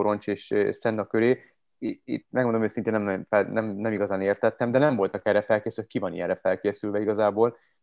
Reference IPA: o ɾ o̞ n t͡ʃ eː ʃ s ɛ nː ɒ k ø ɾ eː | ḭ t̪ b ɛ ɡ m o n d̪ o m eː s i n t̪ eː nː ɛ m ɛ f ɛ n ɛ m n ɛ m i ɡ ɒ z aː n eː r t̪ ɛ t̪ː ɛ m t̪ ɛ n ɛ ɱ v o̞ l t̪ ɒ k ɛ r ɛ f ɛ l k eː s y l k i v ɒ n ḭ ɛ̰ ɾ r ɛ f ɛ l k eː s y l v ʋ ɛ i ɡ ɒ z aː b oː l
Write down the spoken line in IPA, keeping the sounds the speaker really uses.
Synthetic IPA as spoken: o ɾ o̞ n t͡ʃ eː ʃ s ɛ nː ɒ k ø ɾ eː | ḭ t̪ m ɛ ɡ m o n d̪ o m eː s i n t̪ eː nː ɛ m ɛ f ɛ n ɛ m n ɛ m i ɡ ɒ z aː n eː r t̪ ɛ t̪ː ɛ m d̪ ɛ n ɛ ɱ v o̞ l t̪ ɒ k ɛ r ɛ f ɛ l k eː s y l k i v ɒ n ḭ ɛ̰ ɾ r ɛ f ɛ l k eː s y l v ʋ ɛ i ɡ ɒ z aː b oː l